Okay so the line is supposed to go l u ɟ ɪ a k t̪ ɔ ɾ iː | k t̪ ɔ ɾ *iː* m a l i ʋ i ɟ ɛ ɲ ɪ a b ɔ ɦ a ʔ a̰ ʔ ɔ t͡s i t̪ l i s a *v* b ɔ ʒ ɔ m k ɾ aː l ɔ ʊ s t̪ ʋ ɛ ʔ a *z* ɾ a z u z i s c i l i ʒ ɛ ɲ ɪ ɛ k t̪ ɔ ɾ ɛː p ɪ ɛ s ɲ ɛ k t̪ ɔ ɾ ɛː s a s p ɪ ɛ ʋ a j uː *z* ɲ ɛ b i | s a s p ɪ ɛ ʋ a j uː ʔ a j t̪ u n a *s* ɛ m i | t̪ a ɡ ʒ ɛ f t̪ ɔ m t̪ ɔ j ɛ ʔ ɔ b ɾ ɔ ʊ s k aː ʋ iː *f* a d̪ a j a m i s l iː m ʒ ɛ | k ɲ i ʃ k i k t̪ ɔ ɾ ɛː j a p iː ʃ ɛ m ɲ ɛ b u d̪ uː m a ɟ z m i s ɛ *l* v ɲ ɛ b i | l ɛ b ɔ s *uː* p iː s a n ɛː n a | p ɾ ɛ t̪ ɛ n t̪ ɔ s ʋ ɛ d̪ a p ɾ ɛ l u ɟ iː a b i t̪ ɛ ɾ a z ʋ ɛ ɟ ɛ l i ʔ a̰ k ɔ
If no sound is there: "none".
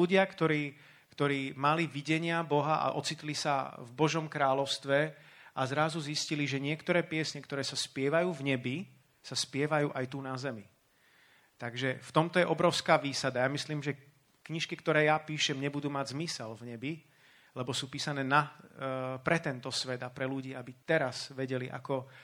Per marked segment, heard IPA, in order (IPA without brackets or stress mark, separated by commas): iː, v, z, v, z, s, l, uː